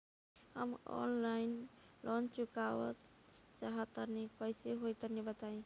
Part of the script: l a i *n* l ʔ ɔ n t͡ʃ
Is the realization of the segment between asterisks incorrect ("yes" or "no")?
no